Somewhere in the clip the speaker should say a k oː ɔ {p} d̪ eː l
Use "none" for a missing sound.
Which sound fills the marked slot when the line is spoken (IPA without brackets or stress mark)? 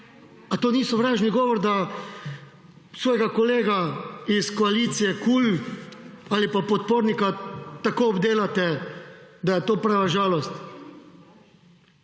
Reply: b